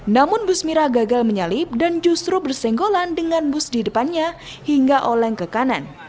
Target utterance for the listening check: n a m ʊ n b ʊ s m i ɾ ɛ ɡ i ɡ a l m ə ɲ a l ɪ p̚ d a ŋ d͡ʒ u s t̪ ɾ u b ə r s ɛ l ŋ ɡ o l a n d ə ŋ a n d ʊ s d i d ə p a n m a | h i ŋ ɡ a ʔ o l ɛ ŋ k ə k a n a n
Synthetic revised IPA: n a m ʊ n b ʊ s m i ɾ a ɡ a ɡ a l m ə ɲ a l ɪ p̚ d a n d͡ʒ u s t̪ ɾ u b ə r s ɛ ŋ ɡ o l a n d ə ŋ a n b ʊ s d i d ə p a n ɲ a | h i ŋ ɡ a ʔ o l ɛ ŋ k ə k a n a n